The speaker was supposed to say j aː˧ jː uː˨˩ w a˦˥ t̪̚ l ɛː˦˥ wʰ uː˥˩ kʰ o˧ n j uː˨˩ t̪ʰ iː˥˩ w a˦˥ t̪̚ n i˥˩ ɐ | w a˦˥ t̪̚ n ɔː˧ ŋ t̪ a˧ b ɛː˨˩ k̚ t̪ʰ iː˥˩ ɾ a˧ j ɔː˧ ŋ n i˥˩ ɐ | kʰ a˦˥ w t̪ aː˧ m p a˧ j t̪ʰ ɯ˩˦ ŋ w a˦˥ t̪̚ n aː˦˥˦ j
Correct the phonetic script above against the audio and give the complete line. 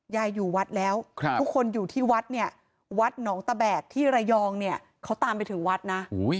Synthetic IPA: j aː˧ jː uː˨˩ w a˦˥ t̪̚ l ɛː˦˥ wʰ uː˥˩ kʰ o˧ n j uː˨˩ t̪ʰ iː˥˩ w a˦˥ t̪̚ n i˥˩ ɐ | w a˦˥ t̪̚ n ɔː˩˦ ŋ t̪ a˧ b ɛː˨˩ k̚ t̪ʰ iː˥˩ ɾ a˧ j ɔː˧ ŋ n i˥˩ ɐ | kʰ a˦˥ w t̪ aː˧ m p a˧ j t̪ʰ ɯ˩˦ ŋ w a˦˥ t̪̚ n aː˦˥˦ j